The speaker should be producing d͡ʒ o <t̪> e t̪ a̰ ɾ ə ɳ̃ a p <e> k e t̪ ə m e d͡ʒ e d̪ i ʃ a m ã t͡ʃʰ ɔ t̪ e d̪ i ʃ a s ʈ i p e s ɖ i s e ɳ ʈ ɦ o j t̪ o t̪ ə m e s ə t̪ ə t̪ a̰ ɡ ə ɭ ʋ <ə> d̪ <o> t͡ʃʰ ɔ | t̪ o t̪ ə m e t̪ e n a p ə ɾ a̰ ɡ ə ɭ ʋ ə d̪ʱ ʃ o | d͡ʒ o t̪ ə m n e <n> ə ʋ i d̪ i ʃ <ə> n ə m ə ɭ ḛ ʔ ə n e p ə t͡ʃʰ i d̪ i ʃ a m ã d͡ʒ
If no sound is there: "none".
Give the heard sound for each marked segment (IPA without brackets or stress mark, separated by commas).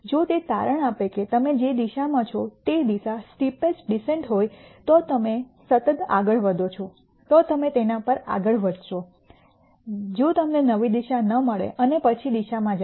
t̪, e, ə, o, n, a